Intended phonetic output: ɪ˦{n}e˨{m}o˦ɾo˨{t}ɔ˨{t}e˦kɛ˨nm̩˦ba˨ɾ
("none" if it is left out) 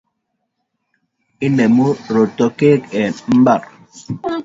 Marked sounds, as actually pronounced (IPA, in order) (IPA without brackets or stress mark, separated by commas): n, m, t, k